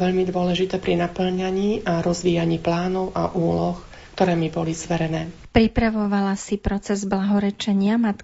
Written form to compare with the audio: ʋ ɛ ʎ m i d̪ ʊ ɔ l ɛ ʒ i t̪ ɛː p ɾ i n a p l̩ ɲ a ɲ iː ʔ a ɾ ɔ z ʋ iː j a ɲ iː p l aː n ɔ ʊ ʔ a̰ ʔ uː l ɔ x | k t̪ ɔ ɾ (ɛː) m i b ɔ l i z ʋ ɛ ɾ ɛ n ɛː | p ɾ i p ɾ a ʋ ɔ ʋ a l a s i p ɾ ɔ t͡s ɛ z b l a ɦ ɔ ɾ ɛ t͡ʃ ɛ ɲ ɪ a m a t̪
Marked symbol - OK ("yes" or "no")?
yes